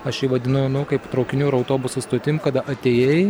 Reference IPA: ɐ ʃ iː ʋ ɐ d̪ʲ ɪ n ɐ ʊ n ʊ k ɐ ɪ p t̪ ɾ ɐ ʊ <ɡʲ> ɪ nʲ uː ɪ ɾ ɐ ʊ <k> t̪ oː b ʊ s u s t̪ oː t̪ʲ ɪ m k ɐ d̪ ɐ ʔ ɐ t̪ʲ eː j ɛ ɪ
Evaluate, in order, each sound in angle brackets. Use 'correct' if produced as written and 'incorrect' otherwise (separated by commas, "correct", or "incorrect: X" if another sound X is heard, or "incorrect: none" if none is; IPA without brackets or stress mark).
incorrect: kʲ, incorrect: none